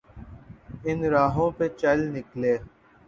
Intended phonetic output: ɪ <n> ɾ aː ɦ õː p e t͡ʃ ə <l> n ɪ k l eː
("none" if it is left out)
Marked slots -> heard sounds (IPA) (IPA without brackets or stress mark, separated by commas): n, l